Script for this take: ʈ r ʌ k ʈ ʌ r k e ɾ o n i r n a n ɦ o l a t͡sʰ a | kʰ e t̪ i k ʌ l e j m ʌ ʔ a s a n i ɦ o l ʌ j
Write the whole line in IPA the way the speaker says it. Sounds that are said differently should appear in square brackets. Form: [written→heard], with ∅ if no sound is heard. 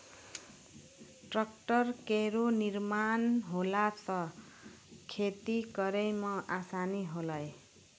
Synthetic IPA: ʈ r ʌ k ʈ ʌ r k e ɾ o n i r [n→m] a n ɦ o l a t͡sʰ [a→ʌ] | kʰ e t̪ i k ʌ [l→ɾ] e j m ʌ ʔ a s a n i ɦ o l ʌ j